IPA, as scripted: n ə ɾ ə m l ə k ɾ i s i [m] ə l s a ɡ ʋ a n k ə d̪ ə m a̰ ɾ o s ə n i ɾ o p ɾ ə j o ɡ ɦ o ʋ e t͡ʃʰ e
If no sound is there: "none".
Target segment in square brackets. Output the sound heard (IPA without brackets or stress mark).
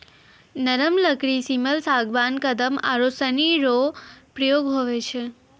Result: m